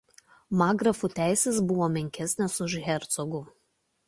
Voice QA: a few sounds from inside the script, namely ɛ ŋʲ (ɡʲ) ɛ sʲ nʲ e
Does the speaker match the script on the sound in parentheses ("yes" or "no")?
no